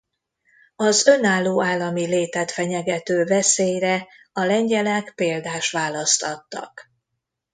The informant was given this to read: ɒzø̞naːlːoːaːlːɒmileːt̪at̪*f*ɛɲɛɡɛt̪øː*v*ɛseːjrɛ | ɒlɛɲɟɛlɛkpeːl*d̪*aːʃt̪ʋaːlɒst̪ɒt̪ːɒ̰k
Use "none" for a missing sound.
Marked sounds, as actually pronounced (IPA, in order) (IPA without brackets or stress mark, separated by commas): f, v, d̪